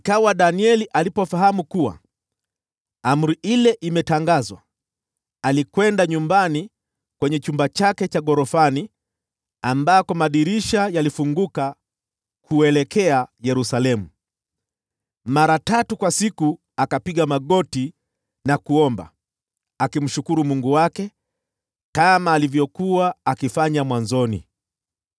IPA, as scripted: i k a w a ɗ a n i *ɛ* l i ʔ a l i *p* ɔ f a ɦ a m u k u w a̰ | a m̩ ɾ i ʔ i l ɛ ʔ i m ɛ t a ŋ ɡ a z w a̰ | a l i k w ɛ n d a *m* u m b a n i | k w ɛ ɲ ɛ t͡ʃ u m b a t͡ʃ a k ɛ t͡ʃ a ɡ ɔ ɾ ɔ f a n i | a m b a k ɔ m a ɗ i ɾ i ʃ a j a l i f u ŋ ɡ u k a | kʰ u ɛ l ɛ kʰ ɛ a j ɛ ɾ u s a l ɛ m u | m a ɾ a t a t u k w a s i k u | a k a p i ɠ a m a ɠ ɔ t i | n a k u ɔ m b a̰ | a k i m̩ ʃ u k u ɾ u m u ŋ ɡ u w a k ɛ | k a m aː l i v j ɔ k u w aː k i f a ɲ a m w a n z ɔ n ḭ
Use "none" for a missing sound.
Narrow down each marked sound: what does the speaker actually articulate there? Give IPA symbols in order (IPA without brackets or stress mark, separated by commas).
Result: ɛ, p, ɲ